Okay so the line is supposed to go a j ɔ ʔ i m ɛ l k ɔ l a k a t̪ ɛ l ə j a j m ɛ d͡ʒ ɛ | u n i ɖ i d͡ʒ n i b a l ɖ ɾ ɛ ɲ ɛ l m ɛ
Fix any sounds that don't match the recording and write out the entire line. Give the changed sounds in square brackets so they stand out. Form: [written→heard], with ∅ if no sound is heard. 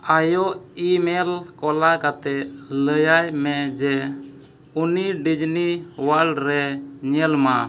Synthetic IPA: a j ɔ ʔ i m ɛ l k ɔ l a k a t̪ ɛ l ə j a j m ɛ d͡ʒ ɛ | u n i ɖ i d͡ʒ n i [b→w] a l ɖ ɾ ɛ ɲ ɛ l m [ɛ→a]